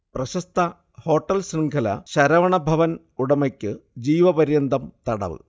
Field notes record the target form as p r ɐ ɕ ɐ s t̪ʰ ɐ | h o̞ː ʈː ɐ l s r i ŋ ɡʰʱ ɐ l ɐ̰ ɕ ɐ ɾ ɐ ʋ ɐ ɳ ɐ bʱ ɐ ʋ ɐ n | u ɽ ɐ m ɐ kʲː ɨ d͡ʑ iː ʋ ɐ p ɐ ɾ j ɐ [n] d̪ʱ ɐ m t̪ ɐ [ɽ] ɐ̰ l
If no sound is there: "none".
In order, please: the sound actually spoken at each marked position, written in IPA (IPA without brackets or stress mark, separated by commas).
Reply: n, ɽ